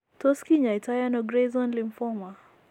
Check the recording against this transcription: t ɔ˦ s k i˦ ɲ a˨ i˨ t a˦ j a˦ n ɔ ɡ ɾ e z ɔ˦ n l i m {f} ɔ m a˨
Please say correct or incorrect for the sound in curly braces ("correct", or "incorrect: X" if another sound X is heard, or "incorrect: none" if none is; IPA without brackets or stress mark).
correct